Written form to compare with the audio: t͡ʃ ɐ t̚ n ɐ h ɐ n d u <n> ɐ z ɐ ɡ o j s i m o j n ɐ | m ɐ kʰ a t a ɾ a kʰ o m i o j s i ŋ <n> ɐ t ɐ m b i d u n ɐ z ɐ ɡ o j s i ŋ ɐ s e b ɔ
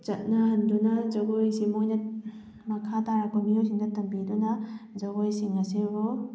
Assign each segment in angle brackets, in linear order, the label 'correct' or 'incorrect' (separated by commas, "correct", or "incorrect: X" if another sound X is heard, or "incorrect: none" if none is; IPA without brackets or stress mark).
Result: correct, incorrect: d